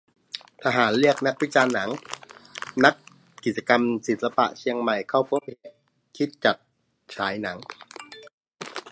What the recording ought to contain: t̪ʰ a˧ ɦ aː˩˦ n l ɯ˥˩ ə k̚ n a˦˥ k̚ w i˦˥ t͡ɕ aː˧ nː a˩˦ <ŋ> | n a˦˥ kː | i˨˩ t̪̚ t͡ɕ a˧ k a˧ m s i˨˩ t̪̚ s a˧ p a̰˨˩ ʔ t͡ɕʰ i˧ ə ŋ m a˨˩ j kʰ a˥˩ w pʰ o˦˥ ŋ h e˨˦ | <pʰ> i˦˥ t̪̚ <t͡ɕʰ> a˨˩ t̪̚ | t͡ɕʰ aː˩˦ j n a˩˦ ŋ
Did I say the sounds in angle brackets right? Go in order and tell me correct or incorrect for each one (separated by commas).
correct, incorrect, incorrect